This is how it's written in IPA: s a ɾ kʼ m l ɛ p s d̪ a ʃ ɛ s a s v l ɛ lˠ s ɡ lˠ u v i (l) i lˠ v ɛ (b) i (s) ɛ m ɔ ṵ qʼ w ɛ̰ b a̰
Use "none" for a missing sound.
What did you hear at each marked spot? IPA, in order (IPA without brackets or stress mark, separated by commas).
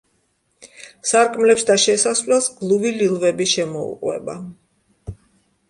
l, b, ʃ